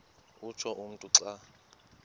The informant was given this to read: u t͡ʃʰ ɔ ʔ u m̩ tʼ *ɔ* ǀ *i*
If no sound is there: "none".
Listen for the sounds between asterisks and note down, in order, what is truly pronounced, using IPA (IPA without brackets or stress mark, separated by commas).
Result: u, a